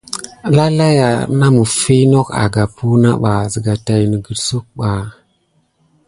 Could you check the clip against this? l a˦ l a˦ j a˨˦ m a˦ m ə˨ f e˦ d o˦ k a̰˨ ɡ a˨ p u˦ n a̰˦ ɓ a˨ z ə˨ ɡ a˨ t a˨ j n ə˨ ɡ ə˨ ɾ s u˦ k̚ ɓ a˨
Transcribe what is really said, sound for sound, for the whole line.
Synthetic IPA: l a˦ l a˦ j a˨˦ n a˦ m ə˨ f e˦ n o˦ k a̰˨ ɡ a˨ p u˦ n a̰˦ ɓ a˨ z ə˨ ɡ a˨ t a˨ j n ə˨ ɡ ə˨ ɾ s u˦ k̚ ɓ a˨